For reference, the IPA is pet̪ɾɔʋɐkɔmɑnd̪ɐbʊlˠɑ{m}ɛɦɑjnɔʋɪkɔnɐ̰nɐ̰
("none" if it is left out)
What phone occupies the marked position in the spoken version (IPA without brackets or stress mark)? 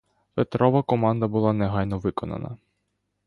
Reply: n